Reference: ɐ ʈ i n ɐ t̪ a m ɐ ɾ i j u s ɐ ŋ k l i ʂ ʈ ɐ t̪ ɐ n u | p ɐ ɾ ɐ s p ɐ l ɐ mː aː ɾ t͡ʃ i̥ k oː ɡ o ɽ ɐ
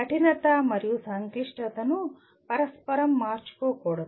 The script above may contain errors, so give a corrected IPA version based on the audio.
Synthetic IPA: ɐ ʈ i n ɐ t̪ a m ɐ ɾ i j u s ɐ ŋ k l i ʂ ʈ ɐ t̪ ɐ n u | p ɐ ɾ ɐ s p ɐ ɾ ɐ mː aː ɾ t͡ʃ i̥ k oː k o ɽ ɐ